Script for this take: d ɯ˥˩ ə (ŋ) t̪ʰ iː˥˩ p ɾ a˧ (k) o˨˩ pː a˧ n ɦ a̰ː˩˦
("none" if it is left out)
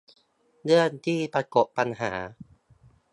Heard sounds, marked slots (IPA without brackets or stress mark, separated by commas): n, k